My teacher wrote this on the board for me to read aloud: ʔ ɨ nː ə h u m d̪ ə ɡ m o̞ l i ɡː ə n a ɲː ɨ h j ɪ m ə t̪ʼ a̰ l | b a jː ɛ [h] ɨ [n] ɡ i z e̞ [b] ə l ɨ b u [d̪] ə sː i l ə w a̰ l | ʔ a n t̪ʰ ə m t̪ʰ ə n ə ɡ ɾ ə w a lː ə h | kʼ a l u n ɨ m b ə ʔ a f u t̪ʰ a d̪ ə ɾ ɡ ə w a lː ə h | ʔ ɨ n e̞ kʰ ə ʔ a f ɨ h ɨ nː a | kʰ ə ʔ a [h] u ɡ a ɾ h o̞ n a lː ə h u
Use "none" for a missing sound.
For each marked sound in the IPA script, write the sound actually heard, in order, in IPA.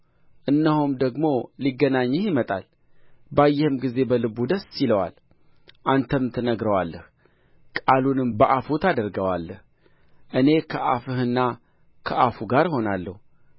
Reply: h, m, b, d̪, f

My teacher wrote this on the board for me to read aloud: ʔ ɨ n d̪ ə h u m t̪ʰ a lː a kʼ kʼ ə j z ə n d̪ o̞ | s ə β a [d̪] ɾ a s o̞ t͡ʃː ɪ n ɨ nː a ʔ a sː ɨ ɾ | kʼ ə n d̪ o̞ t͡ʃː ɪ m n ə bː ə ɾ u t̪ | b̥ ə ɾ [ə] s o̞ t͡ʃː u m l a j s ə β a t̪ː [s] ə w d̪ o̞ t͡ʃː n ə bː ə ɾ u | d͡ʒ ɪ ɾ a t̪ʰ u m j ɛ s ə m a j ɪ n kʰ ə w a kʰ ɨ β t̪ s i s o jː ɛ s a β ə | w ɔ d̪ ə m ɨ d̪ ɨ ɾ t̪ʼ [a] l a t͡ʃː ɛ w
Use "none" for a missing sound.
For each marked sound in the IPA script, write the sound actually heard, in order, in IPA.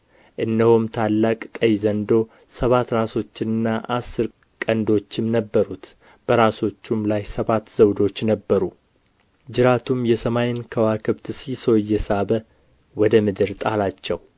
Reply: t̪, a, z, a

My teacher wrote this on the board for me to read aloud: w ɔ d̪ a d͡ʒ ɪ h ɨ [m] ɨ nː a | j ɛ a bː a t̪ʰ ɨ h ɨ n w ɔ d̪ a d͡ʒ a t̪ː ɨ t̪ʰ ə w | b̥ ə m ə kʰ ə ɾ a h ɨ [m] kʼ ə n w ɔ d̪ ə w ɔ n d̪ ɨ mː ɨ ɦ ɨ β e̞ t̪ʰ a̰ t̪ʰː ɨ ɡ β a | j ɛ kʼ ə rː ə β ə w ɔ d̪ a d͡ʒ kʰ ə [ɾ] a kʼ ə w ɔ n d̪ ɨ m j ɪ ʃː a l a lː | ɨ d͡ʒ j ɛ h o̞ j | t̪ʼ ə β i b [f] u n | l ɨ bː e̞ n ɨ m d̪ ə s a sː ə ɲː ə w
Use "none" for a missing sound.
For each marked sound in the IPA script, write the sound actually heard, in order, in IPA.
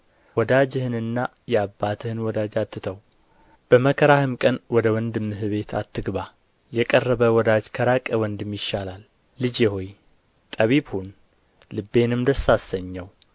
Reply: n, m, ɾ, h

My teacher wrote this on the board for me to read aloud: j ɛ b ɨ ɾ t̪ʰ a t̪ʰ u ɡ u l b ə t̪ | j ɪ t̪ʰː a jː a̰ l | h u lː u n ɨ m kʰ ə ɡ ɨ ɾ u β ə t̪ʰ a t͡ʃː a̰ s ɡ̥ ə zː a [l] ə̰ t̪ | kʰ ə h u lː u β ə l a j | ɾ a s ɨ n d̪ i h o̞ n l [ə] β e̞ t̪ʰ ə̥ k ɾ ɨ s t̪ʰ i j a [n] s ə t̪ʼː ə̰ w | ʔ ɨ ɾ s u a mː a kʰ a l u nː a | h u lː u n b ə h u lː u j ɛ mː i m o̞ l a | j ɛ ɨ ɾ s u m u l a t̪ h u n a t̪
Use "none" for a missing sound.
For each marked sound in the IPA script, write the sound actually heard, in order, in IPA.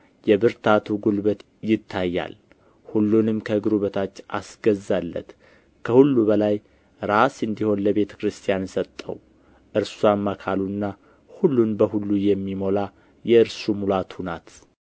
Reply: lː, ə, n

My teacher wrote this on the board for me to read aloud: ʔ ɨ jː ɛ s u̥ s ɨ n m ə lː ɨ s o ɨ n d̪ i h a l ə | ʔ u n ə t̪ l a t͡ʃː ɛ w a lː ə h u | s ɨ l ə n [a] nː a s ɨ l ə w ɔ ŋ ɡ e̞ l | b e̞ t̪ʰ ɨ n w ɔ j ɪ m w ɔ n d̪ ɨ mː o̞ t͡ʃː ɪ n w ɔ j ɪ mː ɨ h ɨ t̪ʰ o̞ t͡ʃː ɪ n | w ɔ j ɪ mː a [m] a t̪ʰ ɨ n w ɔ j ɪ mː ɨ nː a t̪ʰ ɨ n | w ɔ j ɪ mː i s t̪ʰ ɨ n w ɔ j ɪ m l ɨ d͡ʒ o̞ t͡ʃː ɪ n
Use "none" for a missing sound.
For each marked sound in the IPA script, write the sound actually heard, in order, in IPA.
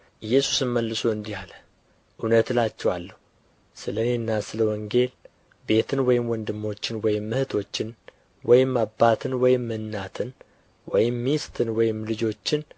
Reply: e, b

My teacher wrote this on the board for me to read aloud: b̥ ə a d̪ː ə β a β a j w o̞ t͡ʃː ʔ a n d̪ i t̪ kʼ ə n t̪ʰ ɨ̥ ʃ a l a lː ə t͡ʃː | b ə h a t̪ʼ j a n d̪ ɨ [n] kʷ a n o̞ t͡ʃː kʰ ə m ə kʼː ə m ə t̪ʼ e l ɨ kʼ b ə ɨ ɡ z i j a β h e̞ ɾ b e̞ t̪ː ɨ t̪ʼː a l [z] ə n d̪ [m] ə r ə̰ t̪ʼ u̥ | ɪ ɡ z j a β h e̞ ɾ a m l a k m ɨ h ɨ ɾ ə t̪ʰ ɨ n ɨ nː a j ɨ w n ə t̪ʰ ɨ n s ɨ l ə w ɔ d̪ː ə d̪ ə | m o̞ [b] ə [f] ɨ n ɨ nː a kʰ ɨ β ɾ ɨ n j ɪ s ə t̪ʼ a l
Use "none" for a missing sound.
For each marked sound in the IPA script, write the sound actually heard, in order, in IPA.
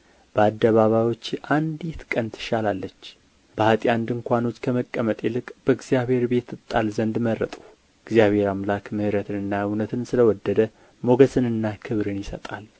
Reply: ŋ, z, m, ɡ, s

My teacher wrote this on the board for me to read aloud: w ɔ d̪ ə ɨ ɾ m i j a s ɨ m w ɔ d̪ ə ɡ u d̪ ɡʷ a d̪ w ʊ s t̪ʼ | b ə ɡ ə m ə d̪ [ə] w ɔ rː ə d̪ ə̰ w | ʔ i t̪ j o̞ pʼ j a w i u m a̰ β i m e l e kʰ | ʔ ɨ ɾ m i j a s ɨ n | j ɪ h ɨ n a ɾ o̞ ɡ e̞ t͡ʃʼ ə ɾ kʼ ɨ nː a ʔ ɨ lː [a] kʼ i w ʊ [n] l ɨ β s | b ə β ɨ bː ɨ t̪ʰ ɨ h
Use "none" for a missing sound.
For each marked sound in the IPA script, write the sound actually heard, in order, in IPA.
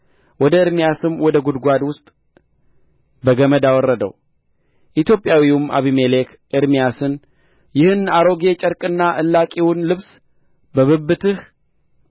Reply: a, a, n

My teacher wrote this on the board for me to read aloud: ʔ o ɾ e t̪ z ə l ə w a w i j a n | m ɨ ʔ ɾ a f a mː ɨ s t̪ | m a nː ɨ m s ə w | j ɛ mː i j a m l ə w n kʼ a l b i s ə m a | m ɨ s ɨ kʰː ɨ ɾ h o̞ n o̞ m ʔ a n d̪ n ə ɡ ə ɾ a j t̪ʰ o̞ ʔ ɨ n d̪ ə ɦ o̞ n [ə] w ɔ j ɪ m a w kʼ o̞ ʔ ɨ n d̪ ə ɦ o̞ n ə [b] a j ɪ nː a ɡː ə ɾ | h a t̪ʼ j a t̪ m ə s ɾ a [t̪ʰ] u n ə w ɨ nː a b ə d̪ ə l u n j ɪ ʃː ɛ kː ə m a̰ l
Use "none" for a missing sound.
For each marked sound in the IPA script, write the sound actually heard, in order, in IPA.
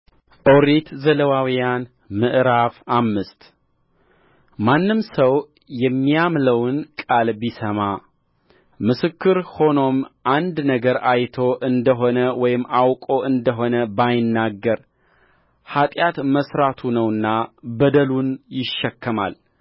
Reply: ə, b, t̪ʰ

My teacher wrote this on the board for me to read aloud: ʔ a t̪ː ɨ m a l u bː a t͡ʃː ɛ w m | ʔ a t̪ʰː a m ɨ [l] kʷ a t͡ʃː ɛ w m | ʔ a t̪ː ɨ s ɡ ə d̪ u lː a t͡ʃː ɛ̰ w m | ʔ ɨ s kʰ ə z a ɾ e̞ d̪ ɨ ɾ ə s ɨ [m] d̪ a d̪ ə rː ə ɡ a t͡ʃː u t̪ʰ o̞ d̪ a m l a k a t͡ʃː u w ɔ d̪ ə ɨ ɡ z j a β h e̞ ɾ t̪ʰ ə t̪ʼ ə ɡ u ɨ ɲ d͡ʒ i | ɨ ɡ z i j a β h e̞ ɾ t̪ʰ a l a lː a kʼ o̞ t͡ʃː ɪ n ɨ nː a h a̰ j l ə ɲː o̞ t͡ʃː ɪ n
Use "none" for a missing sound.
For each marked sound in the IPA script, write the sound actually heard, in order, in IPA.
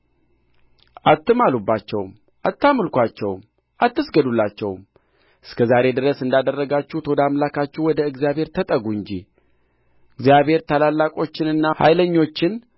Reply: l, n

